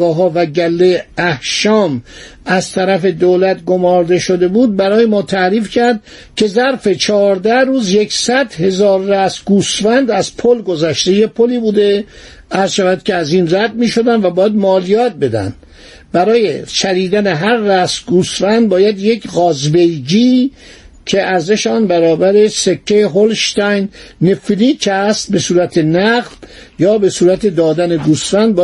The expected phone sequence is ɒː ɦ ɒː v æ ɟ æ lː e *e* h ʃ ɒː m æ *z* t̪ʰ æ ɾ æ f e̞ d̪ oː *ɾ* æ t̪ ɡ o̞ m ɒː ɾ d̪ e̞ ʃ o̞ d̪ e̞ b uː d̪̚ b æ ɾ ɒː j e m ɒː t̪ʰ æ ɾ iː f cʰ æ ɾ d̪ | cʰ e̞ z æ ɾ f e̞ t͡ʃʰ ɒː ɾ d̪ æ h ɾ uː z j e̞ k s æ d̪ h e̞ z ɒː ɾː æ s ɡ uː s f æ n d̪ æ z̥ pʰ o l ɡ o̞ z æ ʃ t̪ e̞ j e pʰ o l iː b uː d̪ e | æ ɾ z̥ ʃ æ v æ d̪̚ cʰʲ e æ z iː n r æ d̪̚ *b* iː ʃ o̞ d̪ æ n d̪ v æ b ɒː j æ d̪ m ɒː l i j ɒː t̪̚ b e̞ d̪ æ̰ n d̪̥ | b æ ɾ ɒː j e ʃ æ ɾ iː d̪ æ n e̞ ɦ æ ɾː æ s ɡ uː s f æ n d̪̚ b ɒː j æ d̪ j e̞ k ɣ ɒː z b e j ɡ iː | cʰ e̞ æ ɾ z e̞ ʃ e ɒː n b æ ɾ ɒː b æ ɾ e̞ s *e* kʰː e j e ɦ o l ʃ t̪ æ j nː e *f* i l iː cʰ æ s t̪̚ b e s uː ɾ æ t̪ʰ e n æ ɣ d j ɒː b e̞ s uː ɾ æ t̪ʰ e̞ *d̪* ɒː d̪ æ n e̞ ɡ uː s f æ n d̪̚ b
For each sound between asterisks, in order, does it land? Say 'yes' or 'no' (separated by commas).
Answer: no, yes, no, no, yes, yes, yes